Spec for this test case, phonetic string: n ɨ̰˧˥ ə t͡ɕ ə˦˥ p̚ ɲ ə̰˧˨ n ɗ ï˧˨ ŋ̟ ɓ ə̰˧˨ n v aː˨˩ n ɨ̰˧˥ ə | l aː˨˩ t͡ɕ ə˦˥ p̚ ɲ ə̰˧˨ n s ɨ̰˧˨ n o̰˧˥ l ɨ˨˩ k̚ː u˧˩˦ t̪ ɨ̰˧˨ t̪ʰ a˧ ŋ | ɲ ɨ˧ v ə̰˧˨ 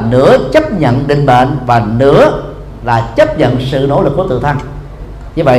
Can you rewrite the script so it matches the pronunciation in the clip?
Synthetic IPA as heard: n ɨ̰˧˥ ə t͡ɕ ə˦˥ p̚ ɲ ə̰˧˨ n ɗ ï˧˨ ŋ̟ ɓ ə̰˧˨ n v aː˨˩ n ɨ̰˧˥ ə | l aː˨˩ t͡ɕ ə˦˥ p̚ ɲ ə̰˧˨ n s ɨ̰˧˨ n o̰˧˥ l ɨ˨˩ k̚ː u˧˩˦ t̪ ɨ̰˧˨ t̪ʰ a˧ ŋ | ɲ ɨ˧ v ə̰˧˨